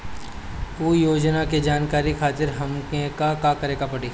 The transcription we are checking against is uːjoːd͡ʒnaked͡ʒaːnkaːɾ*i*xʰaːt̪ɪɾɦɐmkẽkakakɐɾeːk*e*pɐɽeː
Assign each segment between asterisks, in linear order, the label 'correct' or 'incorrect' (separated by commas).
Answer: correct, incorrect